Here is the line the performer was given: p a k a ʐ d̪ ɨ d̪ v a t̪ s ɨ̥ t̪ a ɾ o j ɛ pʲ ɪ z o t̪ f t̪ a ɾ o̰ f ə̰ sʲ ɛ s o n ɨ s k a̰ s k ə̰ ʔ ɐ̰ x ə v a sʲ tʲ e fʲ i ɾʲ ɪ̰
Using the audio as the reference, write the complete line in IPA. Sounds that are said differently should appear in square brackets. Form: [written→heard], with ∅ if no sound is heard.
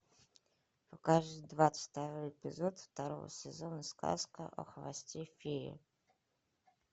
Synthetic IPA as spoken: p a k a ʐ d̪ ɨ d̪ v a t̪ s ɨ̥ t̪ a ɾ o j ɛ pʲ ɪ z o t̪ f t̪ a ɾ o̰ [f→v] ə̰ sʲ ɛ [s→z] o n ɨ s k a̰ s k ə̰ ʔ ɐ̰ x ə v a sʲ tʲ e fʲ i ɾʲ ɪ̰